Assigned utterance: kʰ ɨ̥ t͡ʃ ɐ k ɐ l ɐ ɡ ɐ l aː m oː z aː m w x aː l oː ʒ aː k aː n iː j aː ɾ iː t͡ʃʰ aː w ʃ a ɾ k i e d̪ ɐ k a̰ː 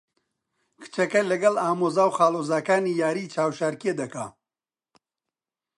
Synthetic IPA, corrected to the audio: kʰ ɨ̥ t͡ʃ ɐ k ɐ l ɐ ɡ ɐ l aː m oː z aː w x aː l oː z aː k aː n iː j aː ɾ iː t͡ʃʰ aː w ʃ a ɾ k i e d̪ ɐ k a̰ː